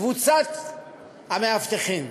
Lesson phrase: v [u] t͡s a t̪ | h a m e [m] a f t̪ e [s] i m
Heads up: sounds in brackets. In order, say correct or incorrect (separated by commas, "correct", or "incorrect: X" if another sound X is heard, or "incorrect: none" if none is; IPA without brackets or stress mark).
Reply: correct, incorrect: none, incorrect: χ